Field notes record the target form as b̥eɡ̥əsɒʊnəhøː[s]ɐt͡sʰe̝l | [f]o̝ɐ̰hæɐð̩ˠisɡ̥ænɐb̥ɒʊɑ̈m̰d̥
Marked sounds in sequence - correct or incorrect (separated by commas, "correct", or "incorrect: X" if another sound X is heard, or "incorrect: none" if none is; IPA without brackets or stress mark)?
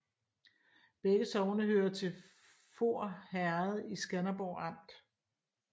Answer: incorrect: none, correct